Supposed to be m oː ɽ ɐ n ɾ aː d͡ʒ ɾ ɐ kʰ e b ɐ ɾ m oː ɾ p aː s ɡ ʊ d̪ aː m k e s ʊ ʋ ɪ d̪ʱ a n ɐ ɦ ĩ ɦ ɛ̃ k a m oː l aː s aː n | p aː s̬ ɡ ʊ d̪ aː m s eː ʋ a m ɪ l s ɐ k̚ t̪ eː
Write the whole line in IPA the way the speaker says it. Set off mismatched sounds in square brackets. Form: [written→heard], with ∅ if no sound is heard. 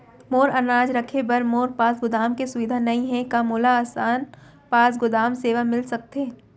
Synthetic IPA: m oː [ɽ→ɾ] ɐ n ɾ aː d͡ʒ ɾ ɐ kʰ e b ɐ ɾ m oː ɾ p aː s ɡ ʊ d̪ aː m k e s ʊ ʋ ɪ d̪ʱ a n ɐ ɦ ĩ ɦ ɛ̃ k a m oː l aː s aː n | p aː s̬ ɡ ʊ d̪ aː m s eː ʋ a m ɪ l s ɐ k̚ t̪ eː

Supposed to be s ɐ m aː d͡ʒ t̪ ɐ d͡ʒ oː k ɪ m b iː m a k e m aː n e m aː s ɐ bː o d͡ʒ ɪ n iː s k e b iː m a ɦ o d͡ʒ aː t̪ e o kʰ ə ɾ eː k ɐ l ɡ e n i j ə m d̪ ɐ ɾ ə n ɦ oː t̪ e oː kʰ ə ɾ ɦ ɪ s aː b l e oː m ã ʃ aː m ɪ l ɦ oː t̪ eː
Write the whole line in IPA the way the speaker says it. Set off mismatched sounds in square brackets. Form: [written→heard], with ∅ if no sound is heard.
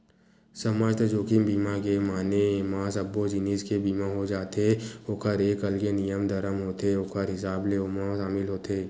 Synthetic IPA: s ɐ m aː d͡ʒ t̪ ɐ d͡ʒ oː k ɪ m b iː m a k e m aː n e m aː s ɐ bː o d͡ʒ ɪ n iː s k e b iː m a ɦ o d͡ʒ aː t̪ e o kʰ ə ɾ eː k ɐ l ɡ e n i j ə m d̪ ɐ ɾ ə [n→m] ɦ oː t̪ e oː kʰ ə ɾ ɦ ɪ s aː b l e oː m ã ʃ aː m ɪ l ɦ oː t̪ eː

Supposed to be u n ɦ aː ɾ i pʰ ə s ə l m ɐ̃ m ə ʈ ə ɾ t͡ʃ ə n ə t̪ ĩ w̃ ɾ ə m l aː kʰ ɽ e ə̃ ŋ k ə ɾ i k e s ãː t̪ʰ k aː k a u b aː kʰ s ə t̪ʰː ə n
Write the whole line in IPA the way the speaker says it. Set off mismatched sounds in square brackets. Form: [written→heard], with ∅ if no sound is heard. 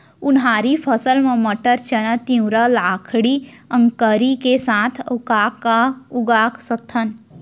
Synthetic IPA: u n ɦ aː ɾ i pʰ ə s ə l m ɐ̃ m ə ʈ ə ɾ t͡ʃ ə n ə t̪ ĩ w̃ ɾ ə [m→∅] l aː kʰ ɽ [e→i] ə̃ ŋ k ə ɾ i k e s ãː t̪ʰ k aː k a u [b→ɡ] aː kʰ s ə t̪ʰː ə n

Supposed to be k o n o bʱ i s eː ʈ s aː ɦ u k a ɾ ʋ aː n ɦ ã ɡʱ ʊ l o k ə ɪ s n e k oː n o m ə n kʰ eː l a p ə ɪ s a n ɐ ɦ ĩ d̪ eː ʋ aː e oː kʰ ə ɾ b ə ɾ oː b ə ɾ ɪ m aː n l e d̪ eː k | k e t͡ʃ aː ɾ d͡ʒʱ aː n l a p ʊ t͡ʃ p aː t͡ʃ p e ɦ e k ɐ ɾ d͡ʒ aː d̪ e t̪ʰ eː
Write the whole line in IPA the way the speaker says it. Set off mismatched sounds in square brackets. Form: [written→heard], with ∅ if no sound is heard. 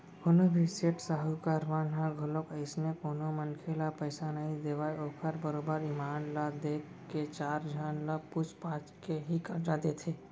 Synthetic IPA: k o n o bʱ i s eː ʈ s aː ɦ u k a ɾ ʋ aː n ɦ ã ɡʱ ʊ l o k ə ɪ s n e k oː n o m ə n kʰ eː l a p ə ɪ s a n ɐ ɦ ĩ d̪ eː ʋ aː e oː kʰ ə ɾ b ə ɾ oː b ə ɾ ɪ m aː n l [e→a] d̪ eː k | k e t͡ʃ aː ɾ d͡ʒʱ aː n l a p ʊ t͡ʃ p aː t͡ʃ [p→k] e ɦ [e→i] k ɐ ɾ d͡ʒ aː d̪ e t̪ʰ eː

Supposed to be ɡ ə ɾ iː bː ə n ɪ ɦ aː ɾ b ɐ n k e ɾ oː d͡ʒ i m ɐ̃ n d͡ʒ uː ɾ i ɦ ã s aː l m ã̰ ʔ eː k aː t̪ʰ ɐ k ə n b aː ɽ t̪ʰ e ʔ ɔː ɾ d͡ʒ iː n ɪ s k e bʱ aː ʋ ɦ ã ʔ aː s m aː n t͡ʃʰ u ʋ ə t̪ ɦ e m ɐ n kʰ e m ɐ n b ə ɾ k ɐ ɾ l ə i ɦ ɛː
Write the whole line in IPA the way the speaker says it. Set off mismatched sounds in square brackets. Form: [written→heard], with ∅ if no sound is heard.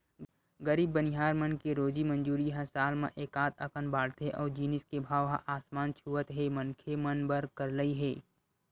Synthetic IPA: ɡ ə ɾ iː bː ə n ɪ ɦ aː ɾ [b→m] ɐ n k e ɾ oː d͡ʒ i m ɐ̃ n d͡ʒ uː ɾ i ɦ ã s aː l m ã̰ ʔ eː k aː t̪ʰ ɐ k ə n b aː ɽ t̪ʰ e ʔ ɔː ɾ d͡ʒ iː n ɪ s k e bʱ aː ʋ ɦ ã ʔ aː s m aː n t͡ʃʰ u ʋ ə t̪ ɦ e m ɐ n kʰ e m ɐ n b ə ɾ k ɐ ɾ l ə i ɦ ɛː

